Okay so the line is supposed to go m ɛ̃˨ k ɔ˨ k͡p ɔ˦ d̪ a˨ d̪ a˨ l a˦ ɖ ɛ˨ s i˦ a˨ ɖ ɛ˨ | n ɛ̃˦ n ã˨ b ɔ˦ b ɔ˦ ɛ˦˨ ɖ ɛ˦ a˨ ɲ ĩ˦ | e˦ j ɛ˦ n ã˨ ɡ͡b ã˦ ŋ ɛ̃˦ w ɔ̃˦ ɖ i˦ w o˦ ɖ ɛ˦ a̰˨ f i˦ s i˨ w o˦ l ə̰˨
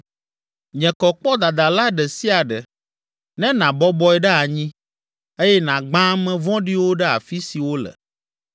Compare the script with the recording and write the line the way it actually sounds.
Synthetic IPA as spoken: ɲ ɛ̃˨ k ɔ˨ k͡p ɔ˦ d̪ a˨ d̪ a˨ l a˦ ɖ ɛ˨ s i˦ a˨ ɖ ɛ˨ | n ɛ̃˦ n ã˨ b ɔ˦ b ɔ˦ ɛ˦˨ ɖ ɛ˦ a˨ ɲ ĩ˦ | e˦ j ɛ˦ n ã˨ ɡ͡b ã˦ m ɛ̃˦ v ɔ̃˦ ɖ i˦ w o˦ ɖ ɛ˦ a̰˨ f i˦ s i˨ w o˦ l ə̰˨